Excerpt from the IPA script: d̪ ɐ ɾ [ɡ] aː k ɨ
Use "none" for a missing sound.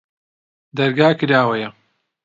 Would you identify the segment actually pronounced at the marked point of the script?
ɡ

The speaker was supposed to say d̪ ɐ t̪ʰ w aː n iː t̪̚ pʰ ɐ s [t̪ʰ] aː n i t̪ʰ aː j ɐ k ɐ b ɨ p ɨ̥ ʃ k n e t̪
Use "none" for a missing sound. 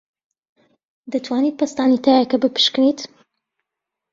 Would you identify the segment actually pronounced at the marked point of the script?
t̪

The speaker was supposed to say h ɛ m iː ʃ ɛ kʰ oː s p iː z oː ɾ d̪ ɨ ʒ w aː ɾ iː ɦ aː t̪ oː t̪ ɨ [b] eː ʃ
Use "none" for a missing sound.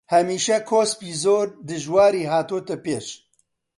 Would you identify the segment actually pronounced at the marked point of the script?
p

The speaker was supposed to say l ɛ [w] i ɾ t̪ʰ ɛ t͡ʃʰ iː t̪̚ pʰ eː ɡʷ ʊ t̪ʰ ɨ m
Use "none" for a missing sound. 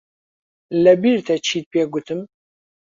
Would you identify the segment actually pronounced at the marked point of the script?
b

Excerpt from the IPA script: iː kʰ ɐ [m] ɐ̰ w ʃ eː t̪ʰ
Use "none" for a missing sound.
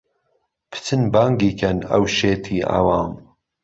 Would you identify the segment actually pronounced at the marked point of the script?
n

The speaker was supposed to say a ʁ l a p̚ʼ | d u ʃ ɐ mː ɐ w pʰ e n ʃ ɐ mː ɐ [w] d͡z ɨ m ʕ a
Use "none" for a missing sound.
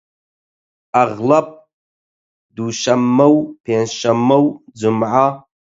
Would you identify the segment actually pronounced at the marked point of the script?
w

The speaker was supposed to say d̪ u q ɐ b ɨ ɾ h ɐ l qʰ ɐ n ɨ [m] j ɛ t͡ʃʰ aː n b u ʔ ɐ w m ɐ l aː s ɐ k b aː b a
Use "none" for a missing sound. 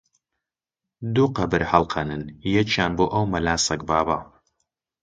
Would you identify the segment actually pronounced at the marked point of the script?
n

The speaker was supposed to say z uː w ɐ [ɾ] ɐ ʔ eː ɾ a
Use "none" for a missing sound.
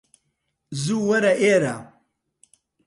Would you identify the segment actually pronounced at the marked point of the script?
ɾ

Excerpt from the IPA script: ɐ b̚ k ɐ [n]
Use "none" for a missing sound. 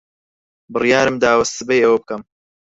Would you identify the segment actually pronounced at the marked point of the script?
m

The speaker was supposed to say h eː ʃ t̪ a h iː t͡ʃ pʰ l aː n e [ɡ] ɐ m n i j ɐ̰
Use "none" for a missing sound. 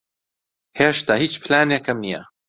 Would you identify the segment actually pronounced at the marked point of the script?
k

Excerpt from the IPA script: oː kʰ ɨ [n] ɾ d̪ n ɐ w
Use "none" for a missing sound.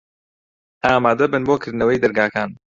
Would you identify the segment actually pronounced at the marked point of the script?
none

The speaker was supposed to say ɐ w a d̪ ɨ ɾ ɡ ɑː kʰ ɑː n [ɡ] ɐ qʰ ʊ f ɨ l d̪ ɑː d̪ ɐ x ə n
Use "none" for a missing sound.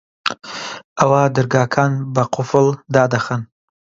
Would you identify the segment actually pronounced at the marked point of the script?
b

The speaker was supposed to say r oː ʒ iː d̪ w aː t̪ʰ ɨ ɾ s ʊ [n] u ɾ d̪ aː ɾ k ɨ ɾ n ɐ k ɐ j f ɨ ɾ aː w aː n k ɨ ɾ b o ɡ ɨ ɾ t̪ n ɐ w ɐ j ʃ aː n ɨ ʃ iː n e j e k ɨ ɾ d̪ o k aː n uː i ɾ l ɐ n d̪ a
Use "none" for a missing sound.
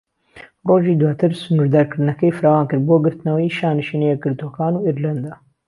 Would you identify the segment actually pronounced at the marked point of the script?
n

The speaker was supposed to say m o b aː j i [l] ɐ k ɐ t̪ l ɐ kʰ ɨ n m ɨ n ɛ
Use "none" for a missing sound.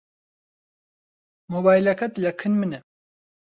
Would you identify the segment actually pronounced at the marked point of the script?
l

